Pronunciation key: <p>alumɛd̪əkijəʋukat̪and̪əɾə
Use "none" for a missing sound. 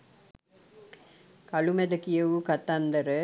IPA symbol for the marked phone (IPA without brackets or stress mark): k